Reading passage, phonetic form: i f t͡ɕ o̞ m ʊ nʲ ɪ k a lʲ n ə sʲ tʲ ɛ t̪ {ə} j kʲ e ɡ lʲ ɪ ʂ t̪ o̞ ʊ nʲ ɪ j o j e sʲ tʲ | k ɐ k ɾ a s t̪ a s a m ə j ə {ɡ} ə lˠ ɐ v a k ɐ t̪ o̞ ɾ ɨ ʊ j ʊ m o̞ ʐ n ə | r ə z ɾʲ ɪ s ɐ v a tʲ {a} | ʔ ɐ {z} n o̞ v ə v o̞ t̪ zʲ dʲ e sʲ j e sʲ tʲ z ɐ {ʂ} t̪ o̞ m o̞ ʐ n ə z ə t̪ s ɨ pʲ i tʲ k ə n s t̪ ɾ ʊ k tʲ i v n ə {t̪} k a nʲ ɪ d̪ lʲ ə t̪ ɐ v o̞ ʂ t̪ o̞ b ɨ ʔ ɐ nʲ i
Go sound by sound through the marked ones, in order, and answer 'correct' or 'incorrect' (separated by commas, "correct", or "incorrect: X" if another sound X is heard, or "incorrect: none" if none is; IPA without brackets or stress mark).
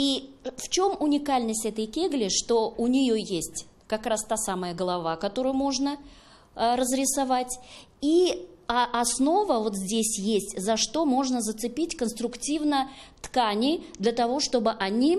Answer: correct, correct, incorrect: i, incorrect: s, correct, correct